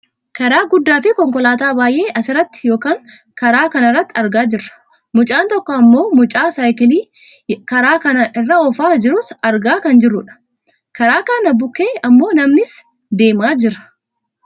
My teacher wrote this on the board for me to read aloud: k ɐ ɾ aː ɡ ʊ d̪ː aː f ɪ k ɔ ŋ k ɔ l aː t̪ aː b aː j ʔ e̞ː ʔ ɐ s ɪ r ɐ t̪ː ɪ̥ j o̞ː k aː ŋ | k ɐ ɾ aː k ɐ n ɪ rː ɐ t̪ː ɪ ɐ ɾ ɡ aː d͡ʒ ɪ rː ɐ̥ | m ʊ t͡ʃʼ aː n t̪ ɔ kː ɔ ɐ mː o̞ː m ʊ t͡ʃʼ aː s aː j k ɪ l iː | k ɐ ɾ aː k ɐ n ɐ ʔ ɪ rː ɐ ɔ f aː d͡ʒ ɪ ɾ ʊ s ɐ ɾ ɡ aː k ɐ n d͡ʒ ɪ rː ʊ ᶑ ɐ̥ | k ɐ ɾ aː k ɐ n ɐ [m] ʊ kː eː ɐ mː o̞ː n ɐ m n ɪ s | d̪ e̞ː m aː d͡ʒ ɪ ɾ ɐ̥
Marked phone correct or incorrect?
incorrect